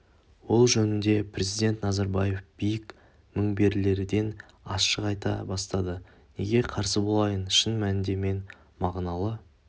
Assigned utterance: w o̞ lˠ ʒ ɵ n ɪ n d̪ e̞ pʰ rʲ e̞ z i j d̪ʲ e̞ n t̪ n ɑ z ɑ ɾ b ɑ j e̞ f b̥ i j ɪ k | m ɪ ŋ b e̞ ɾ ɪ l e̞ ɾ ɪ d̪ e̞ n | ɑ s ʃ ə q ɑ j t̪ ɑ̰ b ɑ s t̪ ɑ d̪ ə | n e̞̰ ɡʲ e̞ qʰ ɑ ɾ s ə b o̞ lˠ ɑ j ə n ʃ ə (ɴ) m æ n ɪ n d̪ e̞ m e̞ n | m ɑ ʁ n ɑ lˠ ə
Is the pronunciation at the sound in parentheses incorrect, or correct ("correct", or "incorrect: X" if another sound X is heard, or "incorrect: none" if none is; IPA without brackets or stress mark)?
incorrect: n